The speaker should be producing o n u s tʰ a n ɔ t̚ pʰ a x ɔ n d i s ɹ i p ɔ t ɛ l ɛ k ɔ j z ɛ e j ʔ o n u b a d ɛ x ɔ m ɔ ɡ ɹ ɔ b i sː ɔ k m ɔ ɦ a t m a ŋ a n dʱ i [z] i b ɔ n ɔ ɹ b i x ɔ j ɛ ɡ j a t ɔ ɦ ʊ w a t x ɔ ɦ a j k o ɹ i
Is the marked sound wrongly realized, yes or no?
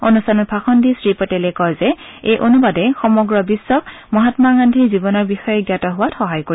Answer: no